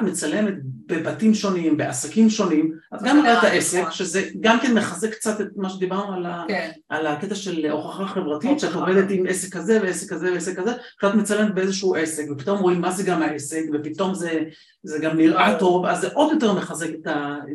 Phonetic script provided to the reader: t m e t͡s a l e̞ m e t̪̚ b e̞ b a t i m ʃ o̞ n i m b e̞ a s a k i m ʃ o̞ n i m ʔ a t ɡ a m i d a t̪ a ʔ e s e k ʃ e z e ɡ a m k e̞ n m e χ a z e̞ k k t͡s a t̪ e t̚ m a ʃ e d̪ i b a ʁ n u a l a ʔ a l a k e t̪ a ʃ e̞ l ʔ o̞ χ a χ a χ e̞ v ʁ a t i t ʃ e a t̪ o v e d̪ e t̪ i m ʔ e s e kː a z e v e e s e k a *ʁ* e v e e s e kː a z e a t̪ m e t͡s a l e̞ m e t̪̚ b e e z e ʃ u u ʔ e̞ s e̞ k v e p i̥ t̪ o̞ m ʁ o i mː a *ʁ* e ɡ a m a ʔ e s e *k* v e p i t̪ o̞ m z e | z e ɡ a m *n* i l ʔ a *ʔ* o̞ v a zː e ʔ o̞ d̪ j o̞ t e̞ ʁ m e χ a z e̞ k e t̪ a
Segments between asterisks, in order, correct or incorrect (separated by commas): incorrect, incorrect, correct, correct, incorrect